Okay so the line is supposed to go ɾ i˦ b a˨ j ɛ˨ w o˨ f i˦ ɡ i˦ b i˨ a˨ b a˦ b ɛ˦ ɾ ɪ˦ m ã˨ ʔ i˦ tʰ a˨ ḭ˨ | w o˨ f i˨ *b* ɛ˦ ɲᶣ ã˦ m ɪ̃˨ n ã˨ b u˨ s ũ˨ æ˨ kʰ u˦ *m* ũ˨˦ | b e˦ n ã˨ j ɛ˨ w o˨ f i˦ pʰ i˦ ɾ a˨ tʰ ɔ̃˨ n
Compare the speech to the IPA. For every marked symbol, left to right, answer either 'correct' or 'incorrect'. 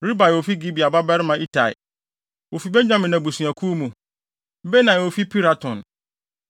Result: correct, correct

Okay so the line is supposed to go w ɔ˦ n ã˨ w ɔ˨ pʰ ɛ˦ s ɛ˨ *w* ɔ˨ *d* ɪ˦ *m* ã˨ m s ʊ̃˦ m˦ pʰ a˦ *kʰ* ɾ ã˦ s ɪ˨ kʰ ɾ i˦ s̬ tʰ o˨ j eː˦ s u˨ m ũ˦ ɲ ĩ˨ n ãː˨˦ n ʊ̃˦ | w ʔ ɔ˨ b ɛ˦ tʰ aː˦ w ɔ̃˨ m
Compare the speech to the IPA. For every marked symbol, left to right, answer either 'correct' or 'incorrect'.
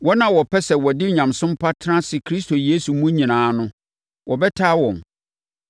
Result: correct, correct, incorrect, incorrect

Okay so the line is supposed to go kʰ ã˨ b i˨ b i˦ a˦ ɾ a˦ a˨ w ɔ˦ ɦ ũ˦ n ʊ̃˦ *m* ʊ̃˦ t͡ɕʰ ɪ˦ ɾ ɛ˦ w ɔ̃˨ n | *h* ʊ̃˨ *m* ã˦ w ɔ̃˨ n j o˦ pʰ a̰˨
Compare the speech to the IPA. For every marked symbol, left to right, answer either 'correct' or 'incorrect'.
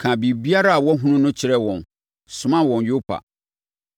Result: incorrect, incorrect, correct

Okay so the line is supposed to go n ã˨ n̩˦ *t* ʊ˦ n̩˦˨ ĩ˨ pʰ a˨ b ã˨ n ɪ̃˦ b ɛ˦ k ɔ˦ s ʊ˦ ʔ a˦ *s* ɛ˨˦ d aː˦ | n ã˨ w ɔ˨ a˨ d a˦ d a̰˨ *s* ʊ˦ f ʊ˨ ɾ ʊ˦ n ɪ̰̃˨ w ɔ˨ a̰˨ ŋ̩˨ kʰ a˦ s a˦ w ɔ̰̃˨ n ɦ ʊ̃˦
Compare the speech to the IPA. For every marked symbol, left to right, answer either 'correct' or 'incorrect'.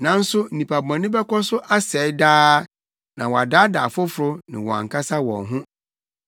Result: incorrect, correct, incorrect

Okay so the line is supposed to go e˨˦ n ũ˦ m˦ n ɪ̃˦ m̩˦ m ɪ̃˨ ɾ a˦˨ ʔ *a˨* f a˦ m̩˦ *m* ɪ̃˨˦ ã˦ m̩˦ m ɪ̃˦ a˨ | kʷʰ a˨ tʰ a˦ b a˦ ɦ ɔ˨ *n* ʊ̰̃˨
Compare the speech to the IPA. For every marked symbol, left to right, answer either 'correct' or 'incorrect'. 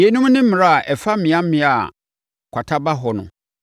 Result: incorrect, correct, correct

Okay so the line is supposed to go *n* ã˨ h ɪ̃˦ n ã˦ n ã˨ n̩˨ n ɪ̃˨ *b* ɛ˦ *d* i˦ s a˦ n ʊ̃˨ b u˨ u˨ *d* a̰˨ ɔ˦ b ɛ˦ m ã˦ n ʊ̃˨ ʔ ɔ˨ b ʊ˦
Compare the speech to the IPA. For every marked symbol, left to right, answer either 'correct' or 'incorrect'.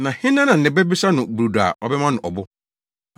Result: correct, correct, incorrect, correct

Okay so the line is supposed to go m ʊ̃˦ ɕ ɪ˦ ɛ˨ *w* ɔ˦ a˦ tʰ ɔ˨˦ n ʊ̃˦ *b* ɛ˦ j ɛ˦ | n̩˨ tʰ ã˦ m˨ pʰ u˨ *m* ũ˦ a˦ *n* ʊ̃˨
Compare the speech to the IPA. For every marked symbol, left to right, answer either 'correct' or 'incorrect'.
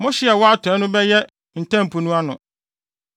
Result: correct, correct, incorrect, correct

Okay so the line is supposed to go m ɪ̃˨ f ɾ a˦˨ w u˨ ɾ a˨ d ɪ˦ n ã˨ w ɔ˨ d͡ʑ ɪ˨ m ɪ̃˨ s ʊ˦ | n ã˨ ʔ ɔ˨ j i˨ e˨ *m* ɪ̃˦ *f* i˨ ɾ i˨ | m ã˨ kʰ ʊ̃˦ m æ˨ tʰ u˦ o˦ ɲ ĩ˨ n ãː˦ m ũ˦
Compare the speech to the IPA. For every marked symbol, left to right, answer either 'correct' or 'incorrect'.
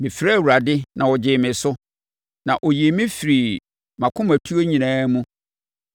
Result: correct, correct

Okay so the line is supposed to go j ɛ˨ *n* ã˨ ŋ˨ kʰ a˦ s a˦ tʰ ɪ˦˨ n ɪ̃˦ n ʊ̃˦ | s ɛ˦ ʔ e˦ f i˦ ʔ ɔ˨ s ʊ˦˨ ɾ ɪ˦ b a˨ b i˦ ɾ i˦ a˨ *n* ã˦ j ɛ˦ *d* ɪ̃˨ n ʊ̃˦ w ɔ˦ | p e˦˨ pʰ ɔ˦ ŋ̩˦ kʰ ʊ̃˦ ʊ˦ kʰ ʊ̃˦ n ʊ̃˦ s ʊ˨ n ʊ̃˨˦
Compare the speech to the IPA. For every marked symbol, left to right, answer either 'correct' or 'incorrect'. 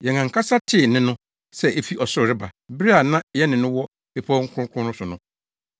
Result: incorrect, correct, incorrect

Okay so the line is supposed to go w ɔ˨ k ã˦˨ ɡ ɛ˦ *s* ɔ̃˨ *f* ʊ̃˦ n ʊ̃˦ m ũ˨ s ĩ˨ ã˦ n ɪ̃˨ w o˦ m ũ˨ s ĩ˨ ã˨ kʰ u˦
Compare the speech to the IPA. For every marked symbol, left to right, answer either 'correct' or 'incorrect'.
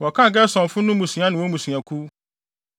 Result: correct, correct

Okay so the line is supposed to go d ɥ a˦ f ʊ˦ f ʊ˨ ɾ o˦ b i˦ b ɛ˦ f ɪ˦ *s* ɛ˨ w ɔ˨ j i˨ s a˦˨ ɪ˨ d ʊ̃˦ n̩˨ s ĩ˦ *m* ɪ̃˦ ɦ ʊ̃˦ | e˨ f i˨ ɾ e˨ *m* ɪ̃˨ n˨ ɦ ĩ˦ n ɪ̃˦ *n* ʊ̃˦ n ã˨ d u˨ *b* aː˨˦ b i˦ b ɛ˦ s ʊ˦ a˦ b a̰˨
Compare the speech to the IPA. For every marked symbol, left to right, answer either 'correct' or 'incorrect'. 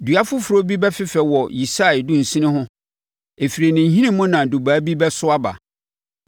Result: incorrect, incorrect, incorrect, incorrect, correct

